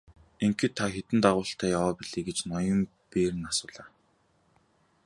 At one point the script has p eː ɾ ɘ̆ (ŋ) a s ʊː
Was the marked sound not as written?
yes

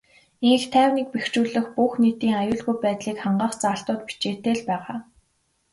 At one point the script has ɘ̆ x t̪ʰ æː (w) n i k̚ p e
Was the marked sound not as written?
no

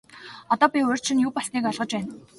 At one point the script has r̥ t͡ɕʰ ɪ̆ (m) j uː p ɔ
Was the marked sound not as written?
yes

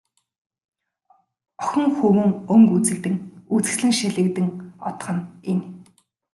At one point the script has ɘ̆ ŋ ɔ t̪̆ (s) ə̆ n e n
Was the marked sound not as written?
yes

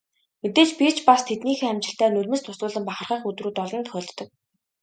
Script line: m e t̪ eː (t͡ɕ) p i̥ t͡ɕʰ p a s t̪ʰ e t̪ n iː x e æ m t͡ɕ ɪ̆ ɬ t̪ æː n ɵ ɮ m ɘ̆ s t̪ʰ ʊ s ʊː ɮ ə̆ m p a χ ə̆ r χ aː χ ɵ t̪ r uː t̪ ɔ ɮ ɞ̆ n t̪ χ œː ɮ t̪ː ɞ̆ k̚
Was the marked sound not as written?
no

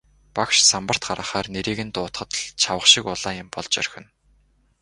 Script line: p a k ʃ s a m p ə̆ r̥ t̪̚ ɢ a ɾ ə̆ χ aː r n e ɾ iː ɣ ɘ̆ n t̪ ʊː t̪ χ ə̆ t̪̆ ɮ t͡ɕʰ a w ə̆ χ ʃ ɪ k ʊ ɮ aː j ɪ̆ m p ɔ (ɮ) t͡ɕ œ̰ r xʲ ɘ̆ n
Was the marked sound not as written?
no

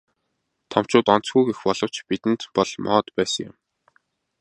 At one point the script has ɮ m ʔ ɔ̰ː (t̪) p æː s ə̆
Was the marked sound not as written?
no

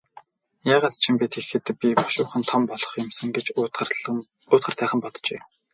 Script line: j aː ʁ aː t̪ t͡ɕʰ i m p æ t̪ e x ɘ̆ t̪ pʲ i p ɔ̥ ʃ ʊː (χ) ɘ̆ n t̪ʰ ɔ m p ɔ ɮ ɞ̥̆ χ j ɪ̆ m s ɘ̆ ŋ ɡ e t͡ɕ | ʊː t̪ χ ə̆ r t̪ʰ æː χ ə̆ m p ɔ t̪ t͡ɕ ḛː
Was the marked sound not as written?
no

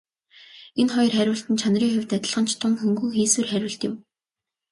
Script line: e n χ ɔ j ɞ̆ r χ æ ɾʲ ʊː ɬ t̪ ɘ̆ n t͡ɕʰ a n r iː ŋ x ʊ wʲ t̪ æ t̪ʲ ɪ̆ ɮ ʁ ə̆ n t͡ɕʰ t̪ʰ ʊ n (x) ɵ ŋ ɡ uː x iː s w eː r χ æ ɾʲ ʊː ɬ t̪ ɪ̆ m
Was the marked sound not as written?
no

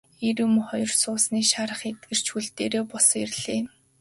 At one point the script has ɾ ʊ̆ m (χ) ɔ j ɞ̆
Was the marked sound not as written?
no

